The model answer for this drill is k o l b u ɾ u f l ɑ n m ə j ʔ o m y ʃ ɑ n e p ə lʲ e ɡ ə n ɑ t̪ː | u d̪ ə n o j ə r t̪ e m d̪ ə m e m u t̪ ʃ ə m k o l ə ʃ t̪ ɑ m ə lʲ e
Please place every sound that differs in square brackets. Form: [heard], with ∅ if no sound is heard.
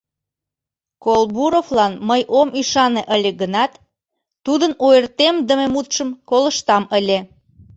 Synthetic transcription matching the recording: k o l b u ɾ [o] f l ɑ n m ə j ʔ o m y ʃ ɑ n e [ʔ] ə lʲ e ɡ ə n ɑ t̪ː | u d̪ ə n o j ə r t̪ e m d̪ ə m e m u t̪ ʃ ə m k o l ə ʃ t̪ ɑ m ə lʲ e